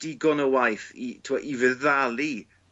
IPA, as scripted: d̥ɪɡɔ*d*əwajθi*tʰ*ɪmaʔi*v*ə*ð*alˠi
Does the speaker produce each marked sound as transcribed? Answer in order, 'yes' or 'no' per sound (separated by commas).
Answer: no, yes, yes, yes